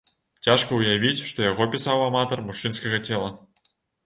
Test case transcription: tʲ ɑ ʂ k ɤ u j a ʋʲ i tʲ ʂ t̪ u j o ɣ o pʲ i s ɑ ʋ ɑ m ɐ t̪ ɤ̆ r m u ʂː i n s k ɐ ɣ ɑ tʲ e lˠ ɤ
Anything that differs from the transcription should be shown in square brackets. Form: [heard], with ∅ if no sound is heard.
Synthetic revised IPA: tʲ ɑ ʂ k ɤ u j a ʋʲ i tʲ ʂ t̪ [o] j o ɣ o pʲ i s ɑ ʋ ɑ m [ɑ] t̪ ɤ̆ r m u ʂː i n s k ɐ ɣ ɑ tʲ e lˠ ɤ